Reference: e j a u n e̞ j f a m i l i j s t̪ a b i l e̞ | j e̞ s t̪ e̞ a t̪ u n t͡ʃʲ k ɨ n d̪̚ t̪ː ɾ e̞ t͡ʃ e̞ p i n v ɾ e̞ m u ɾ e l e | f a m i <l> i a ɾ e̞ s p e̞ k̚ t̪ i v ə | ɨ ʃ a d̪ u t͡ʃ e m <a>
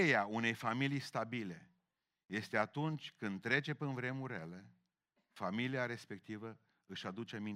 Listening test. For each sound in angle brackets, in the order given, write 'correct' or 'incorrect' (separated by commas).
correct, incorrect